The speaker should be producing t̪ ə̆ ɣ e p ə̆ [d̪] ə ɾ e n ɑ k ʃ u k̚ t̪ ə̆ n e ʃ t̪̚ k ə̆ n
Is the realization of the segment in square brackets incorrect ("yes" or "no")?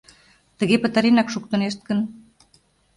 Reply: yes